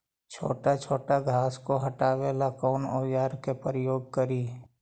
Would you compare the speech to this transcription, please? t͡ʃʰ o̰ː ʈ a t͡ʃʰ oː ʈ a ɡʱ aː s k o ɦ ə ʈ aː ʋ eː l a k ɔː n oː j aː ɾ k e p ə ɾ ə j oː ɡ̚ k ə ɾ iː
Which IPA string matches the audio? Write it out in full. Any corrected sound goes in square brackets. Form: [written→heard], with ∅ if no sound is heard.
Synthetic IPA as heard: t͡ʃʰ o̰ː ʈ a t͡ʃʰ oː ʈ a ɡʱ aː s k o ɦ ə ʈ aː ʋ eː l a k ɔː n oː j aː ɾ k e p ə ɾ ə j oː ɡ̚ k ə ɾ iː